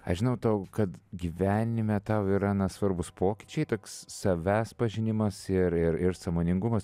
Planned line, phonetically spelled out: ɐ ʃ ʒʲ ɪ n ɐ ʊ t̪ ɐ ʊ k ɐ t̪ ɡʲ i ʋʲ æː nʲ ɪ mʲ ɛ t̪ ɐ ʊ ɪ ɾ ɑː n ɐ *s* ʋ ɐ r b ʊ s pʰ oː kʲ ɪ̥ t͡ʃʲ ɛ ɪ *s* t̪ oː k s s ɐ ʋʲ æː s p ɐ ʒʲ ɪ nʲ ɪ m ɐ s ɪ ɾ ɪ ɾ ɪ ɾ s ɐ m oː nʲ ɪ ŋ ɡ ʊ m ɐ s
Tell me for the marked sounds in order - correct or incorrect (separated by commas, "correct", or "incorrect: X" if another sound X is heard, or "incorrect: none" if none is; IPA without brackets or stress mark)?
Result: correct, incorrect: none